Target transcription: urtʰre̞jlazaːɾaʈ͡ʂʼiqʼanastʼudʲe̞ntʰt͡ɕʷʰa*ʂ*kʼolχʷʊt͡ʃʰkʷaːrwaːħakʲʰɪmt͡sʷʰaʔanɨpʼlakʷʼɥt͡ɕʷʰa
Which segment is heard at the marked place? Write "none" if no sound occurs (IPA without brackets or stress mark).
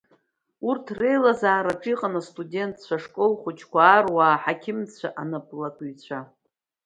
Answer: ʂ